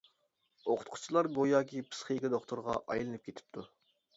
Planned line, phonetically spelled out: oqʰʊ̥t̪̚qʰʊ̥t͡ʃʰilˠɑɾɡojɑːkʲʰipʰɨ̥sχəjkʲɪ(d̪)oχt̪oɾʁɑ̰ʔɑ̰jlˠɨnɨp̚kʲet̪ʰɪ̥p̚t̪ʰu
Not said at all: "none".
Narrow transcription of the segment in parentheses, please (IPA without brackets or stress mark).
d̪